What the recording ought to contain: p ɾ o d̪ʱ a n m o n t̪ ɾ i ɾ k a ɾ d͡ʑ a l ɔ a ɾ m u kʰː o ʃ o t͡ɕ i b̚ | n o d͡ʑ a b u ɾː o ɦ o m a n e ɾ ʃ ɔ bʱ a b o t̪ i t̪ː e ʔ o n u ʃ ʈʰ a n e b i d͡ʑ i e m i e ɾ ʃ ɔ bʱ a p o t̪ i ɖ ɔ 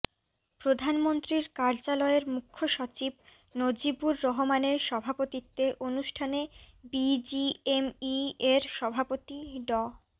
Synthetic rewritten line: p ɾ o d̪ʱ a n m o n t̪ ɾ i ɾ k a ɾ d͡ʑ a l ɔ e ɾ m u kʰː o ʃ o t͡ɕ i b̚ | n o d͡ʑ i b u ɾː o ɦ o m a n e ɾ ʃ ɔ bʱ a p o t̪ i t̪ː e ʔ o n u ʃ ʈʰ a n e b i d͡ʑ i e m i e ɾ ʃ ɔ bʱ a p o t̪ i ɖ ɔ

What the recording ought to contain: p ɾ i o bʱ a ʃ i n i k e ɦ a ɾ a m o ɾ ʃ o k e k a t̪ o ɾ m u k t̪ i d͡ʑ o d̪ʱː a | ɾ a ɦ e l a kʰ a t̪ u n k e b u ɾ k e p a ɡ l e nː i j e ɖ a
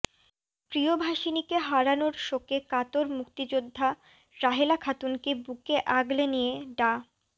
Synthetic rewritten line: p ɾ i o bʱ a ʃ i n i k e ɦ a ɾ a n o ɾ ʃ o k e k a t̪ o ɾ m u k t̪ i d͡ʑ o d̪ʱː a | ɾ a ɦ e l a kʰ a t̪ u n k e b u k e ʔ a ɡ l e n i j e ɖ a

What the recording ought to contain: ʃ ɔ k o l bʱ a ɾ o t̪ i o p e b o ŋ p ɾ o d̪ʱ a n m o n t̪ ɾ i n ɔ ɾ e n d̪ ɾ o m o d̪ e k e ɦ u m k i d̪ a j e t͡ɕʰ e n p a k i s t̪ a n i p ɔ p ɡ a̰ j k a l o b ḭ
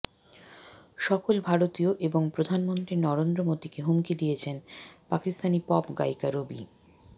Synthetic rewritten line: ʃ ɔ k o l bʱ a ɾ o t̪ i o ʔ e b o ŋ p ɾ o d̪ʱ a n m o n t̪ ɾ i n ɔ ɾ e n d̪ ɾ o m o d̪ i k e ɦ u m k i d̪ i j e t͡ɕʰ e n p a k i s t̪ a n i p ɔ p ɡ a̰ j k a ɾ o b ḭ

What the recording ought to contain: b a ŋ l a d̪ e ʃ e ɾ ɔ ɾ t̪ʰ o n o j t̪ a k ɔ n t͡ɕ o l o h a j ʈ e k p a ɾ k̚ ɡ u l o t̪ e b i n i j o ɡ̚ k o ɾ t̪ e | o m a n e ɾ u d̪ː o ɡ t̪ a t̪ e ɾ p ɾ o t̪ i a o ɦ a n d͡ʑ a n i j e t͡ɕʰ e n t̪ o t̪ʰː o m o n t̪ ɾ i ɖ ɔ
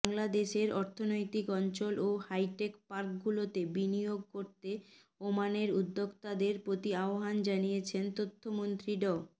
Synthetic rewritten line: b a ŋ l a d̪ e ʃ e ɾ ɔ ɾ t̪ʰ o n o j t̪ i k ɔ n t͡ɕ o l o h a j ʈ e k p a ɾ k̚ ɡ u l o t̪ e b i n i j o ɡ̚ k o ɾ t̪ e | o m a n e ɾ u d̪ː o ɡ t̪ a d̪ e ɾ p ɾ o t̪ i a o ɦ a n d͡ʑ a n i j e t͡ɕʰ e n t̪ o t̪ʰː o m o n t̪ ɾ i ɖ ɔ

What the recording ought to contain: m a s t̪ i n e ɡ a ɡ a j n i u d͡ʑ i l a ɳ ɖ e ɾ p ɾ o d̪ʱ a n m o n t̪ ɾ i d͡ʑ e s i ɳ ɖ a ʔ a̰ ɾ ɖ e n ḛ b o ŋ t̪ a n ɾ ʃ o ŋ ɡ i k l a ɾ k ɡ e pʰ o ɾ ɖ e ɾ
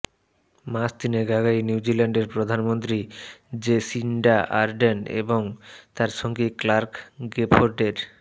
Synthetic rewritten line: m a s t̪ i n e ɡ a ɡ a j n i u d͡ʑ i l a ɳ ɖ e ɾ p ɾ o d̪ʱ a n m o n t̪ ɾ i d͡ʑ e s i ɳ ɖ a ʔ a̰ ɾ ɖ e n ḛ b o ŋ t̪ a ɾ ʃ o ŋ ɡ i k l a ɾ k ɡ e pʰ o ɾ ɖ e ɾ

